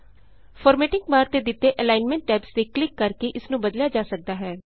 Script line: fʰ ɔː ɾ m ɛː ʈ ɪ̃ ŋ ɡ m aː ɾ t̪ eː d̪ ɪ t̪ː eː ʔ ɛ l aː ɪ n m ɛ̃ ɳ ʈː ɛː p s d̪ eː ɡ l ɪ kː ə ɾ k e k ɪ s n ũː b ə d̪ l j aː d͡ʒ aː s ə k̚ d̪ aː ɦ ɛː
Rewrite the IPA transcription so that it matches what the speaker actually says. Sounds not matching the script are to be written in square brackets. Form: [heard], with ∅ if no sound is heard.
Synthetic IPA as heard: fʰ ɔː ɾ m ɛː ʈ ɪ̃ ŋ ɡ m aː ɾ t̪ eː d̪ ɪ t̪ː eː ʔ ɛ l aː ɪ n m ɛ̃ ɳ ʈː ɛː p s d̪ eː [k] l ɪ kː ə ɾ k e [ʔ] ɪ s n ũː b ə d̪ l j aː d͡ʒ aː s ə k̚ d̪ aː ɦ ɛː